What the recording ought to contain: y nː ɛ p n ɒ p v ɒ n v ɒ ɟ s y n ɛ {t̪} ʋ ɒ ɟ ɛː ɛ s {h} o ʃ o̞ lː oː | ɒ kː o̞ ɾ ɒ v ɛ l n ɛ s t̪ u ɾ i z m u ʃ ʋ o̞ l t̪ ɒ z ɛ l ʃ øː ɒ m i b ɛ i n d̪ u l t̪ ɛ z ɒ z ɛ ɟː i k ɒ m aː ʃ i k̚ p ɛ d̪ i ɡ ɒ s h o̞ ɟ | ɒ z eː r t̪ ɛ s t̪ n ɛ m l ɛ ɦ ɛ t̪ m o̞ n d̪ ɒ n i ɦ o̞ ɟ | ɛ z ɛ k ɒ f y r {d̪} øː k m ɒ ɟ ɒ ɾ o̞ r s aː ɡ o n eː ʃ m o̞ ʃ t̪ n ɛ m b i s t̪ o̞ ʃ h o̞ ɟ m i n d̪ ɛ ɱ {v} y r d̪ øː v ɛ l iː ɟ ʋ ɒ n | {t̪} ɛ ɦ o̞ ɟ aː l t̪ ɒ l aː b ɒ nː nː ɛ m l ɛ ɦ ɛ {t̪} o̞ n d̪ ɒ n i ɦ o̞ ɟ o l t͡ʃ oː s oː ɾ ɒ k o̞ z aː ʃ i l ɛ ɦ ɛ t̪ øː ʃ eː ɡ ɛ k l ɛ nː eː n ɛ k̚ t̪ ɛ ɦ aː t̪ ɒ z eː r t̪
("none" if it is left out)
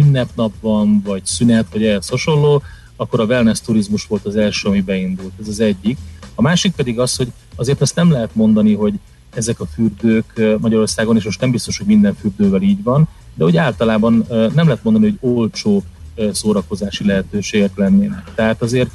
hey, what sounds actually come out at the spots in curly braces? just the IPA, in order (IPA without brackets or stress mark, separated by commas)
t̪, h, d̪, f, d̪, t̪